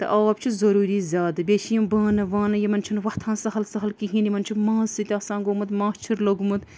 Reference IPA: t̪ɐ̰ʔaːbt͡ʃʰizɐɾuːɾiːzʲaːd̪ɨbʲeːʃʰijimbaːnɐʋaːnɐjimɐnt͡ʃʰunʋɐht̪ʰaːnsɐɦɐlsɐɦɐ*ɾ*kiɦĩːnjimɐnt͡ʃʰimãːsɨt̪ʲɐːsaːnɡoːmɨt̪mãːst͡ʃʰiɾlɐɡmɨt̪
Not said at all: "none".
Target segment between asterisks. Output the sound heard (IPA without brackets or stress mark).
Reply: l